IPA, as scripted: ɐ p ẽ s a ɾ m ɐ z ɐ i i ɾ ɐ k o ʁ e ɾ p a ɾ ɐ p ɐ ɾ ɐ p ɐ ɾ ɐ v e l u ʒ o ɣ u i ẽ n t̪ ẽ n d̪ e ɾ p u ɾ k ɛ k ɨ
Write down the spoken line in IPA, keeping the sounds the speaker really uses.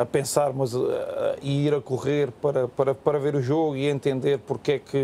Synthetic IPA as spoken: ɐ p ẽ s a ɾ m ɐ z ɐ i i ɾ ɐ k u ʁ e ɾ p ɐ ɾ ɐ p ɐ ɾ ɐ p ɐ ɾ ɐ v e ɾ u ʒ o ɣ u i ẽ n t̪ ẽ n d̪ e ɾ p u ɾ k ɛ k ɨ